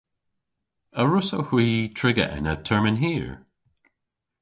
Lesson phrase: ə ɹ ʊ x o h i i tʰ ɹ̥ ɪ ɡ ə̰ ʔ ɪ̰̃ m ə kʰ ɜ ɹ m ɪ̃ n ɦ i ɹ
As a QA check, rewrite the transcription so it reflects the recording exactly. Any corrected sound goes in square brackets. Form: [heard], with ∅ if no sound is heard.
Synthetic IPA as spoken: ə ɹ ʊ [s] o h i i tʰ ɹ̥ ɪ ɡ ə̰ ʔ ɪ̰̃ [n] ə [tʰ] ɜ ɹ m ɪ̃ n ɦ i ɹ